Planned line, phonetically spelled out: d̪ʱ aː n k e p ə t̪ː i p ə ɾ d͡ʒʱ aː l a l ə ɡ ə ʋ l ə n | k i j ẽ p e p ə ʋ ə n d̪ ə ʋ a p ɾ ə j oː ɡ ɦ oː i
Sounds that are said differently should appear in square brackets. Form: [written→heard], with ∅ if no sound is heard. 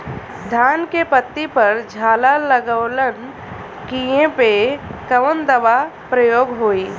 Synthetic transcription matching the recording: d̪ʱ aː n k e p ə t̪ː i p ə ɾ d͡ʒʱ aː l a l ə ɡ ə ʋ l ə n | k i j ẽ p e [p→k] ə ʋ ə n d̪ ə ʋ a p ɾ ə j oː ɡ ɦ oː i